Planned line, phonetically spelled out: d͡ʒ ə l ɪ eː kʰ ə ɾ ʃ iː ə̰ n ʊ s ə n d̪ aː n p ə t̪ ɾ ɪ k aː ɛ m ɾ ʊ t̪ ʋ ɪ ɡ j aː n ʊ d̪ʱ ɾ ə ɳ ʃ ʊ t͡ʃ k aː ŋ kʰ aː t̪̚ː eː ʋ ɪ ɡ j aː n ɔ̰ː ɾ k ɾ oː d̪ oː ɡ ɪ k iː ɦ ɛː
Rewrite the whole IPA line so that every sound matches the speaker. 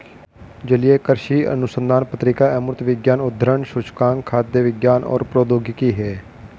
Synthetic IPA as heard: d͡ʒ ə l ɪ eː k ə ɾ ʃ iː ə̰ n ʊ s ə n d̪ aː n p ə t̪ ɾ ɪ k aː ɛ m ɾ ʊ t̪ ʋ ɪ ɡ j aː n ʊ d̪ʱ ɾ ə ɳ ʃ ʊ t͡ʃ k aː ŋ kʰ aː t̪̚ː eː ʋ ɪ ɡ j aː n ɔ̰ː ɾ p ɾ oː d̪ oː ɡ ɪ k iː ɦ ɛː